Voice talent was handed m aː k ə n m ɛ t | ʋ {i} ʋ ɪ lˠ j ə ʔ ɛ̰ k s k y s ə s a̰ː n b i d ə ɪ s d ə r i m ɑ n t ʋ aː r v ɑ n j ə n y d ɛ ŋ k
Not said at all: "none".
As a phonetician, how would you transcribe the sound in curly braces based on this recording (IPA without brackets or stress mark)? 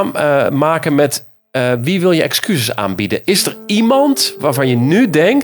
i